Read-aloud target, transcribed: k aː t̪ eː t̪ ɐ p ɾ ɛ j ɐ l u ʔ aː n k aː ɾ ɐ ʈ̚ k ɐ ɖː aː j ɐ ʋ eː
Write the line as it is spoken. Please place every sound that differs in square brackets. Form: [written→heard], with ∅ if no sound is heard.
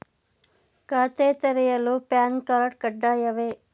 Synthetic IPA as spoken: k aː t̪ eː t̪ ɐ [p→∅] ɾ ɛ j ɐ l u [ʔ→p] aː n k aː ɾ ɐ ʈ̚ k ɐ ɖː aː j ɐ ʋ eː